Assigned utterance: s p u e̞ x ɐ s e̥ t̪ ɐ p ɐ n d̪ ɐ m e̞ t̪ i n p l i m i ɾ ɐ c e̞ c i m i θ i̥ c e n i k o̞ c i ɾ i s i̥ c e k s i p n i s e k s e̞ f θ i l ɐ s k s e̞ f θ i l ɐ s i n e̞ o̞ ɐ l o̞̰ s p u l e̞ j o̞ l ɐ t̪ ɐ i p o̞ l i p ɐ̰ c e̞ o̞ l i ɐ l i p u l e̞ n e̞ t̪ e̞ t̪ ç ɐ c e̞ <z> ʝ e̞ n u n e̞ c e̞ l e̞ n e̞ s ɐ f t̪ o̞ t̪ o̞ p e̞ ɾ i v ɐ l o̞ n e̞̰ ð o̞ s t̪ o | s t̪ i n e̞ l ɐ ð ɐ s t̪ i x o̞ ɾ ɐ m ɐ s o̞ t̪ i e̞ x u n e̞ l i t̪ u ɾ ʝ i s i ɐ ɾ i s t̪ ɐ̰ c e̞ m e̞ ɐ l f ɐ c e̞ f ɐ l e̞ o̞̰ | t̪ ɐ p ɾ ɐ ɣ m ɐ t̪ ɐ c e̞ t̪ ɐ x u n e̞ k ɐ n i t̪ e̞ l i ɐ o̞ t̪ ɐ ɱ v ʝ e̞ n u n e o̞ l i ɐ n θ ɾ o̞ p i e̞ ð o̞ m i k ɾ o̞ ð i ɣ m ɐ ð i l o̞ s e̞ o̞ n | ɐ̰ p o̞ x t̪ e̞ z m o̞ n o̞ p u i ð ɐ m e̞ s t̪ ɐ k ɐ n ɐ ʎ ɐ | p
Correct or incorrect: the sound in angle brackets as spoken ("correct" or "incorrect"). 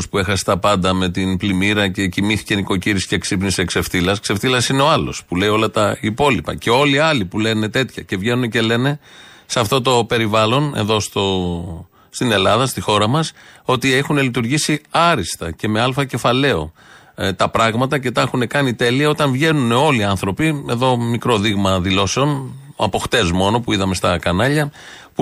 incorrect